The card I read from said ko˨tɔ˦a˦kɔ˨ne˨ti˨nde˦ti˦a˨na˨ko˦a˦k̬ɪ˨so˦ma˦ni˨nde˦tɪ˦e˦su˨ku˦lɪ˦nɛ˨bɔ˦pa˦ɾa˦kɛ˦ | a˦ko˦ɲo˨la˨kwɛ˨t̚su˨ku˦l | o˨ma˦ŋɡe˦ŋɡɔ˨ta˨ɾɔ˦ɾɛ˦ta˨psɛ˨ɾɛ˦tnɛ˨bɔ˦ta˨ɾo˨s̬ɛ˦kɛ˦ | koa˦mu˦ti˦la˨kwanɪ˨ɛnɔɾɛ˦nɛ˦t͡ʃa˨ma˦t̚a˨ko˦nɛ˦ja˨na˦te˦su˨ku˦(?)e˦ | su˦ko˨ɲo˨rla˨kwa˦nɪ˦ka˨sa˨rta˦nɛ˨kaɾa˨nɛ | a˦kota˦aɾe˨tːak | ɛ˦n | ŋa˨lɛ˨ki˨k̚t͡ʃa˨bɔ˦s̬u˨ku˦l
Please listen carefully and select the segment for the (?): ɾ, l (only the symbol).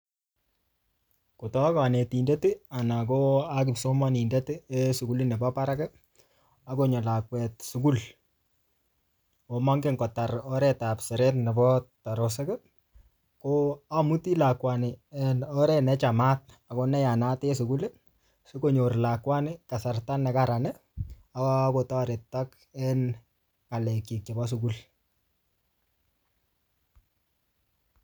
l